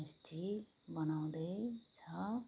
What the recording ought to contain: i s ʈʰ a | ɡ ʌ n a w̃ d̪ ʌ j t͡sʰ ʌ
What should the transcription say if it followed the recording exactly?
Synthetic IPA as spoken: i s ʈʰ i | b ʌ n a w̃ d̪ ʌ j t͡sʰ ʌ

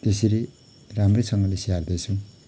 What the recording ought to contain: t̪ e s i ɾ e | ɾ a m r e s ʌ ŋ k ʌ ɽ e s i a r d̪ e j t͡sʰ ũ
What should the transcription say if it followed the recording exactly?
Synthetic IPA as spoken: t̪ e s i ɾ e | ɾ a m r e s ʌ ŋ ɡ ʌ l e s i a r d̪ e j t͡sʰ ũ

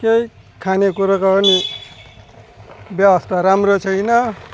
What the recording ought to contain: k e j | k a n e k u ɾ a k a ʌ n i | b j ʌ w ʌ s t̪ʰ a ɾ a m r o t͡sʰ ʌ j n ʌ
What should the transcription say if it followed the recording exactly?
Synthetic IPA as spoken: k e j | kʰ a n e k u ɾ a k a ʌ n i | b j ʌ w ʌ s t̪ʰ a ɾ a m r o t͡sʰ ʌ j n ʌ

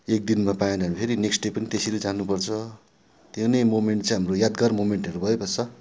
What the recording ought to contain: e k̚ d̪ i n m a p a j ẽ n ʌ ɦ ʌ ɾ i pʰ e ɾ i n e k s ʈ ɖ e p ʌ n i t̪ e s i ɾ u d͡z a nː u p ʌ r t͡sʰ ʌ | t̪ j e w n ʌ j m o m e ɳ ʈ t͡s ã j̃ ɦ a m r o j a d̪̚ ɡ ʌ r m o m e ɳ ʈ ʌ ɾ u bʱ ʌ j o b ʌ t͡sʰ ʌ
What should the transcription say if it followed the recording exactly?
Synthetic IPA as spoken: e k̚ d̪ i n m a p a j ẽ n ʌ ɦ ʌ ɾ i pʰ e ɾ i n e k s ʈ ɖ e p ʌ n i t̪ e s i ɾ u d͡z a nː u p ʌ r t͡sʰ ʌ | t̪ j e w n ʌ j m o m e ɳ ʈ t͡s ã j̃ ɦ a m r o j a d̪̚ ɡ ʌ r m o m e ɳ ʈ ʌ ɾ u bʱ ʌ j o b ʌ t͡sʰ ʌ

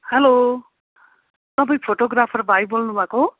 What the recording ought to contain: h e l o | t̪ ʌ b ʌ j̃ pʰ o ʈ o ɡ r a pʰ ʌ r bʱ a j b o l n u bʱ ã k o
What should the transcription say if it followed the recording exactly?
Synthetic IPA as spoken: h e l o | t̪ ʌ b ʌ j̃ pʰ o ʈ o ɡ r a pʰ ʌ r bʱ a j b o l n u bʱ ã k o

